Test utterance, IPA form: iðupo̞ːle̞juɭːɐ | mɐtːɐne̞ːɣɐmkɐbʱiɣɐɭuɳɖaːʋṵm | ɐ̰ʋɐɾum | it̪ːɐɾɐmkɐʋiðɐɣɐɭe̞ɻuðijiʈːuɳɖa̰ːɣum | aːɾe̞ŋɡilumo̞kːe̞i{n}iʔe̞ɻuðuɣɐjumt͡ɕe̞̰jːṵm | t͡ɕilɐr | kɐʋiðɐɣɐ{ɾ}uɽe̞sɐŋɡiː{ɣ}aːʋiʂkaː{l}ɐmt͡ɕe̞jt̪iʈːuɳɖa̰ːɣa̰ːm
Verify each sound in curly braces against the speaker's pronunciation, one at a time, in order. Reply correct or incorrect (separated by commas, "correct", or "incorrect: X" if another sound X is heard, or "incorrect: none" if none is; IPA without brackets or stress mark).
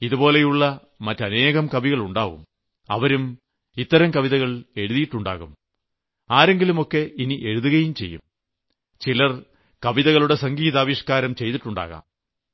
correct, incorrect: ɭ, incorrect: ð, incorrect: ɾ